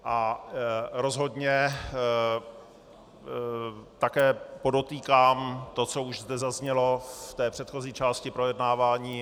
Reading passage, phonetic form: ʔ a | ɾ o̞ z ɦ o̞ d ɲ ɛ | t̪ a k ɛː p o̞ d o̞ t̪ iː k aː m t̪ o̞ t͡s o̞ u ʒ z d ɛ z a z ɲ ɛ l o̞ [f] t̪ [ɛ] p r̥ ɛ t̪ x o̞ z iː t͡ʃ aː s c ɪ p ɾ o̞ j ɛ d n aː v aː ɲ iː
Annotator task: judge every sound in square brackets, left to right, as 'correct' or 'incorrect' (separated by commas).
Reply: correct, incorrect